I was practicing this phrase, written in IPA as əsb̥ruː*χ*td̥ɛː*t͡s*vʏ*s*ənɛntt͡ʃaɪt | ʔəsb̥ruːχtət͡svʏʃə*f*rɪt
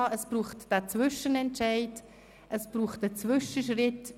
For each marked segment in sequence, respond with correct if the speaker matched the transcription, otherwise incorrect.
correct, correct, incorrect: ʃ, incorrect: ʃ

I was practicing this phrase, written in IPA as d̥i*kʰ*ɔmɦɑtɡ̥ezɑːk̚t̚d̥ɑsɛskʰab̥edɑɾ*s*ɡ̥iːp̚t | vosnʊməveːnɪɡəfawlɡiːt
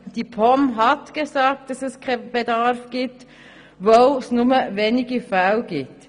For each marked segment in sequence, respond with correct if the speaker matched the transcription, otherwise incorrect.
incorrect: pʰ, incorrect: f

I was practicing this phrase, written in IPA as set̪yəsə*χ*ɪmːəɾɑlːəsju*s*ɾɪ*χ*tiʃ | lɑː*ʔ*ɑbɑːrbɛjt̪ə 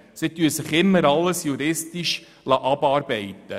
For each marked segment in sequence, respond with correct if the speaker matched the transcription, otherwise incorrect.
correct, incorrect: none, incorrect: s, correct

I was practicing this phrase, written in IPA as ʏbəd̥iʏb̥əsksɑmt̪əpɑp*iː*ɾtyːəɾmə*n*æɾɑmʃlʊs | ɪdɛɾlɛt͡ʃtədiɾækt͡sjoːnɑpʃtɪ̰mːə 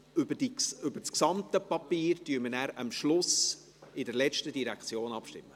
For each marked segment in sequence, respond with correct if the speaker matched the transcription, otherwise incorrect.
correct, correct

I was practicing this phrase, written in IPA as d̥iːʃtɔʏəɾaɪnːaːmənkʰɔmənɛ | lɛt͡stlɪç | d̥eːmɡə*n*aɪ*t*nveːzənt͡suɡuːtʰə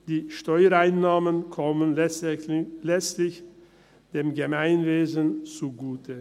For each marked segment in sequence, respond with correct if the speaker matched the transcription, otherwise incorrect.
incorrect: m, incorrect: none

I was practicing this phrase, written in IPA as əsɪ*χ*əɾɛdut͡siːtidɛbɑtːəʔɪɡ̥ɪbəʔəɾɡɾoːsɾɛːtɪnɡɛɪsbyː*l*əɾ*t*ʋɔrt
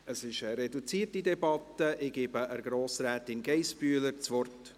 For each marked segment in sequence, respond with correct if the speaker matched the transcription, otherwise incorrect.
incorrect: ʃ, correct, incorrect: t͡s

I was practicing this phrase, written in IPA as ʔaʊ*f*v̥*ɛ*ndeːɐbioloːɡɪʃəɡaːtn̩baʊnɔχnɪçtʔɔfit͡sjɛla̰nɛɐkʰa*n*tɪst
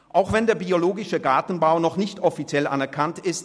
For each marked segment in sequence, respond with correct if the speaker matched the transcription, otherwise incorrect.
incorrect: x, correct, correct

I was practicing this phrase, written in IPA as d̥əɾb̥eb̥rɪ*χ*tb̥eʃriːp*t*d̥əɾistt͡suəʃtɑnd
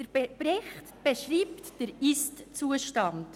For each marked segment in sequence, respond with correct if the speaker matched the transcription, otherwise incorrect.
correct, correct

